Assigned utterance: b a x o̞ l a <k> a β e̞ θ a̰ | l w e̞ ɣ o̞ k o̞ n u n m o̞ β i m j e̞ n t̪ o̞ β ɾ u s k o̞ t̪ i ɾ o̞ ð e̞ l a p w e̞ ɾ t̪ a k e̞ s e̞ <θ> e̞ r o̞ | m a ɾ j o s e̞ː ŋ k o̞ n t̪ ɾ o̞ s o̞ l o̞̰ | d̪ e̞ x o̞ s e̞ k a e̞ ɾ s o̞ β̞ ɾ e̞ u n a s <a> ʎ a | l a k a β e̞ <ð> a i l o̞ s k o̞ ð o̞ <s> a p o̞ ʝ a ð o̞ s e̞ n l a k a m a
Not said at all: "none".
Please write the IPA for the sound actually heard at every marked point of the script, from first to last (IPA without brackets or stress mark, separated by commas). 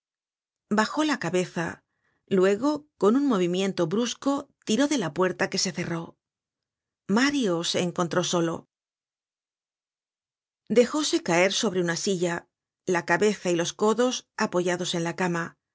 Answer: k, θ, i, θ, s